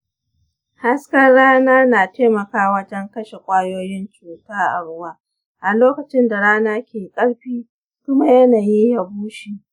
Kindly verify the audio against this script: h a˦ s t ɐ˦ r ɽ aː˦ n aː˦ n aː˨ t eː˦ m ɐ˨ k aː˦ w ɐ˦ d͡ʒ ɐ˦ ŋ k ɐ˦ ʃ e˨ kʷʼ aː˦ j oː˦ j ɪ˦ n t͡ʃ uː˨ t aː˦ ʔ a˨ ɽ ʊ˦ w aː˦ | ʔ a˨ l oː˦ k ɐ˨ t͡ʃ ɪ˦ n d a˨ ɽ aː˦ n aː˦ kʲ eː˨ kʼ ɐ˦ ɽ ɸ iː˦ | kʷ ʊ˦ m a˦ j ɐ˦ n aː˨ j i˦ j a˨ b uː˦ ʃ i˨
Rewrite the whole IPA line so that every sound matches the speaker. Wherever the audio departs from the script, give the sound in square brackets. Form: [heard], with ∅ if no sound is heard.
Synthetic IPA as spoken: h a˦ s [k] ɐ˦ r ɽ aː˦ n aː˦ n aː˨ t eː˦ m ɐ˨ k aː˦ w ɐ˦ d͡ʒ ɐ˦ ŋ k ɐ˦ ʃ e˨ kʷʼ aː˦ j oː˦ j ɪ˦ n t͡ʃ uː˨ t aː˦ ʔ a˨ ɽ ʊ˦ w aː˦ | ʔ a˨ l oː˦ k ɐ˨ t͡ʃ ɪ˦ n d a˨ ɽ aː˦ n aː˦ kʲ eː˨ kʼ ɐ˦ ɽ ɸ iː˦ | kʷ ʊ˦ m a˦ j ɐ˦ n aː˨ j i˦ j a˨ b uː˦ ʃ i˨